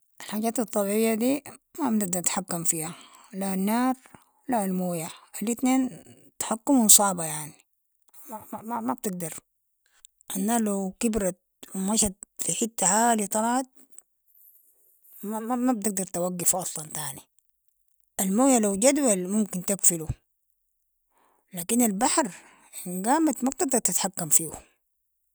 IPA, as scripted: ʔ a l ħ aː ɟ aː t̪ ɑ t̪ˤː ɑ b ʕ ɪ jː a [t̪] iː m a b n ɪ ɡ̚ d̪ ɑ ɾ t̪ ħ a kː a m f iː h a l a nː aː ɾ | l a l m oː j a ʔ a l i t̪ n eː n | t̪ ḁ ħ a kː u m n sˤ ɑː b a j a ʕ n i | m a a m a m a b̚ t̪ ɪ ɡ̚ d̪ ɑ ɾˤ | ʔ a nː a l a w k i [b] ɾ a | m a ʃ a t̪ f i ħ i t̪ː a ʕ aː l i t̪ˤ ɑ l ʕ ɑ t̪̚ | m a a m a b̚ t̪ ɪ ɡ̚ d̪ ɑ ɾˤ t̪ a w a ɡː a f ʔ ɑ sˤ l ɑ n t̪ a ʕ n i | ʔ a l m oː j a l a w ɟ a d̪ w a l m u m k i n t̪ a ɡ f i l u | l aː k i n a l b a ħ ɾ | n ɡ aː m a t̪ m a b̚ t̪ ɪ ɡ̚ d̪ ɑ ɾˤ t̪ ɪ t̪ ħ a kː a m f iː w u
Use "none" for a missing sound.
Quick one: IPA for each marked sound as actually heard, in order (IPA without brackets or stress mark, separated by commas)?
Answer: d̪, b